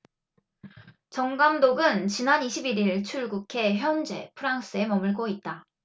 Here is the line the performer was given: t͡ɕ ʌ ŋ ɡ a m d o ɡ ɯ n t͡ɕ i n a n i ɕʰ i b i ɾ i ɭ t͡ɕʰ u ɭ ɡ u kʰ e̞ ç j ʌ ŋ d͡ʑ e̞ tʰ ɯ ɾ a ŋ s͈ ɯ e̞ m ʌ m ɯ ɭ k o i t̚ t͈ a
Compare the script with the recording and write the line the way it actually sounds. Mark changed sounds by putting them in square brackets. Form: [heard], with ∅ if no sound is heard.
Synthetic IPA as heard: t͡ɕ ʌ ŋ ɡ a m d o ɡ ɯ n t͡ɕ i n a n i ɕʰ i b i ɾ i ɭ t͡ɕʰ u ɭ ɡ u kʰ e̞ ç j ʌ [n] d͡ʑ e̞ [pʰ] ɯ ɾ a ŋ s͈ ɯ e̞ m ʌ m ɯ ɭ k o i t̚ t͈ a